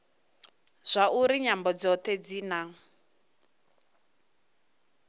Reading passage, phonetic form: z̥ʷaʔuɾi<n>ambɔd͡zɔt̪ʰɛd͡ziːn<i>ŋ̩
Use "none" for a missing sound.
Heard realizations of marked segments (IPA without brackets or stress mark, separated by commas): ɲ, a